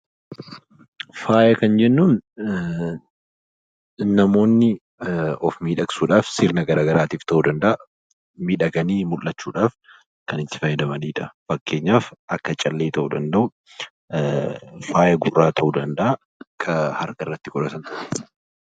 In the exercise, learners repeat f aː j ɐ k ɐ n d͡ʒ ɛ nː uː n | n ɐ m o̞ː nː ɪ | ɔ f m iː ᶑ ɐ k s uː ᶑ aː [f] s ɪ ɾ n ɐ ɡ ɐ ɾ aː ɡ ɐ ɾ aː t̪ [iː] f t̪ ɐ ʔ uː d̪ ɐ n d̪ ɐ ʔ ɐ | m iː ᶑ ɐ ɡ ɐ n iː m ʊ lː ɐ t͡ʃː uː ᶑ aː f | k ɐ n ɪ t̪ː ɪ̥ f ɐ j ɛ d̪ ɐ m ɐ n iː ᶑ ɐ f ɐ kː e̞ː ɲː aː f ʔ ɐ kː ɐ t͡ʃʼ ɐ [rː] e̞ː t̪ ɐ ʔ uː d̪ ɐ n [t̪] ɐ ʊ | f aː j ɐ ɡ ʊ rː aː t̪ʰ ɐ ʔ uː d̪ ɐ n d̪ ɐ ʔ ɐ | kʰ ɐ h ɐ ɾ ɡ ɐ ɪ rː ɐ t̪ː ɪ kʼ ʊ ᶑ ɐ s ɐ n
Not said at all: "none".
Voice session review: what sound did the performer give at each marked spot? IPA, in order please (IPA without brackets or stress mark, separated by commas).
f, iː, lː, d̪